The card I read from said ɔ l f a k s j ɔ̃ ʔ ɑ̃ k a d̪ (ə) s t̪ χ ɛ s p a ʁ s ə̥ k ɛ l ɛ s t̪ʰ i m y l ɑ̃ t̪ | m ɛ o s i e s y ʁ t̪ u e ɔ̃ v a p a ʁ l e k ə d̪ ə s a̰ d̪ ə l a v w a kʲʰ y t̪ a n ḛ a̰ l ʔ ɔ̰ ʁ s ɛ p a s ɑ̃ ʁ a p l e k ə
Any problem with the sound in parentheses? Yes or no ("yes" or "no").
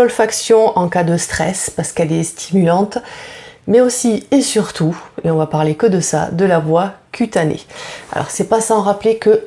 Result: no